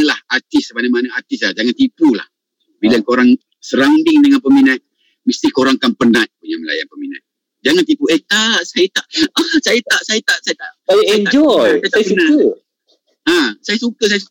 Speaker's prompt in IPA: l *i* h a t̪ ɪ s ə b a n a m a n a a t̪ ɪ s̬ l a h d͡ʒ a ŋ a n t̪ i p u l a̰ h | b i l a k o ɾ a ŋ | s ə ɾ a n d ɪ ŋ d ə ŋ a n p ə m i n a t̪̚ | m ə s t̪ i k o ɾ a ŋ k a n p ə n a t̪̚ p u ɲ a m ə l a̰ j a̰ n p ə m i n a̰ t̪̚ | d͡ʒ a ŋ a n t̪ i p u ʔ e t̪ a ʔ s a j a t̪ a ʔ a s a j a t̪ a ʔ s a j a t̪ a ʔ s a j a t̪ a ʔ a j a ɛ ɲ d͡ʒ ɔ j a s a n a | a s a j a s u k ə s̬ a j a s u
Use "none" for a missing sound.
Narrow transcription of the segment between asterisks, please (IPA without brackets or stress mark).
a